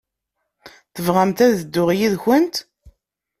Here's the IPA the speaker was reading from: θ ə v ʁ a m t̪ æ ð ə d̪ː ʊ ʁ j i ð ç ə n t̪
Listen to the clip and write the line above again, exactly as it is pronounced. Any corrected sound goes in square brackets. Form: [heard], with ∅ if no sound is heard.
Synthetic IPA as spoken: θ ə v ʁ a m t̪ æ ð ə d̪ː ʊ ʁ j i ð ç ə n t̪